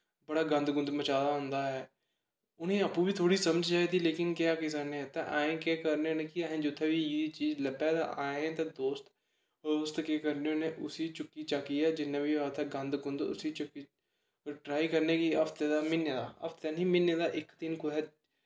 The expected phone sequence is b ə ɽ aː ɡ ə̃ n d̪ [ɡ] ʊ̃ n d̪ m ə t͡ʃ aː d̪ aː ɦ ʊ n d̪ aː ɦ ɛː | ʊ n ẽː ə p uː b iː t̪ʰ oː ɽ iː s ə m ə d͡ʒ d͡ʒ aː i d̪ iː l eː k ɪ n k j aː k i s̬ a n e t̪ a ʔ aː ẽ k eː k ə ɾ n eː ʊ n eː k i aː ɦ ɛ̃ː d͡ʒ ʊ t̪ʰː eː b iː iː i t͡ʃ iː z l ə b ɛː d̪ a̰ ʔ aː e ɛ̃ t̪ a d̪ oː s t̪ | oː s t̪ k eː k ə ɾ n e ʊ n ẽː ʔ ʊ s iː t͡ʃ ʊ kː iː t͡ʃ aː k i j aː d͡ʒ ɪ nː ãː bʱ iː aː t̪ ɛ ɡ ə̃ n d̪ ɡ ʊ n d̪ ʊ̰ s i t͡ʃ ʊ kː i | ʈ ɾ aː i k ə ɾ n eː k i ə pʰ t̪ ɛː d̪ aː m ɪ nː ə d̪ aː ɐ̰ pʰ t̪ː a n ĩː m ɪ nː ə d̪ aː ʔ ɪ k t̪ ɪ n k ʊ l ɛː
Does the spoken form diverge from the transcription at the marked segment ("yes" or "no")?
no